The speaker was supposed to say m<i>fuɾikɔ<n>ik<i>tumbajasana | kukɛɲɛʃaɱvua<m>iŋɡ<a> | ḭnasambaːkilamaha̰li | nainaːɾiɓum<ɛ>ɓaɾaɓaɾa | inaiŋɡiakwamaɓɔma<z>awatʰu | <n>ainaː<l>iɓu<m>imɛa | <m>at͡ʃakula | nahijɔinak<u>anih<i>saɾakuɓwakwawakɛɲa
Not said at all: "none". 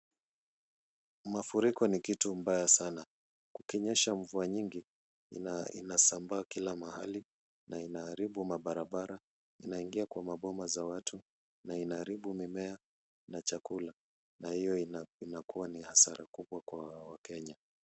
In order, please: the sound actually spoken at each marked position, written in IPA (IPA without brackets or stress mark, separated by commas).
a, n, i, ɲ, i, a, z, n, ɾ, m, n, u, a